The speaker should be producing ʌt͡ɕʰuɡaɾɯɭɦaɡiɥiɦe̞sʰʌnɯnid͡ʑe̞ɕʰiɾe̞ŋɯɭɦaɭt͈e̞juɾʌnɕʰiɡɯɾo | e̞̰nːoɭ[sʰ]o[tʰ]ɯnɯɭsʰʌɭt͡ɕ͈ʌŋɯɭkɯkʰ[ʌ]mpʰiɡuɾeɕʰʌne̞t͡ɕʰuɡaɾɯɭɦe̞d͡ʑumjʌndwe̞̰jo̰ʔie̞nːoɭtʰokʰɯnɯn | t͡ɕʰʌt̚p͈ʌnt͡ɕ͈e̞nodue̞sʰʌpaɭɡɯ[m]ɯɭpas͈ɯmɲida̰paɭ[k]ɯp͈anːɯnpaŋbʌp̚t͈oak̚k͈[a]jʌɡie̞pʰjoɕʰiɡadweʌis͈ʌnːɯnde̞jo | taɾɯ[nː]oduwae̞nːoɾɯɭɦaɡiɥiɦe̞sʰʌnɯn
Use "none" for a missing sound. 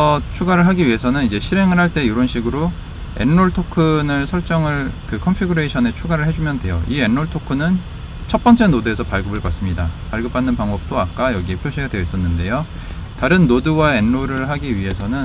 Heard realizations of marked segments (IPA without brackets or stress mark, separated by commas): tʰ, kʰ, ʌ, b, ɡ, a, nː